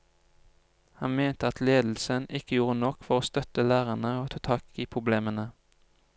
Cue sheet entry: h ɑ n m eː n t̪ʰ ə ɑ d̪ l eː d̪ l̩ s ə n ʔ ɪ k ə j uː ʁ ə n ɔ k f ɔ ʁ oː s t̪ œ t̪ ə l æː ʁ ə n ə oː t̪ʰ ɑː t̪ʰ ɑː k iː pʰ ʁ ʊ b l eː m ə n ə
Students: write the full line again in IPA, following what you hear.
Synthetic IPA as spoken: h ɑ n m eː n t̪ ə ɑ t̪ l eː d̪ l̩ s ə n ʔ ɪ k ə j uː ʁ ə n ɔ k f ɔ ʁ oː s t̪ œ t̪ ə l æː ʁ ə n ə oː t̪ʰ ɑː t̪ʰ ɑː k iː pʰ ʁ ʊ b l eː m ə n ə